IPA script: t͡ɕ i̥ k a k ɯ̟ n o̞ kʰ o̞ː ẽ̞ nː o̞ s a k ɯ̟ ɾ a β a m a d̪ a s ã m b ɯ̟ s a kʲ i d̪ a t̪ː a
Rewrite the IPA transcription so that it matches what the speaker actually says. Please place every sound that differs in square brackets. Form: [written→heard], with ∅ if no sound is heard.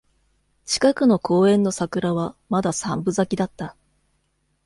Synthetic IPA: t͡ɕ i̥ k a k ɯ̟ n o̞ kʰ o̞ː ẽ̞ nː o̞ s a k ɯ̟ ɾ a β a m a d̪ a s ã m b ɯ̟ [s→z] a kʲ i d̪ a t̪ː a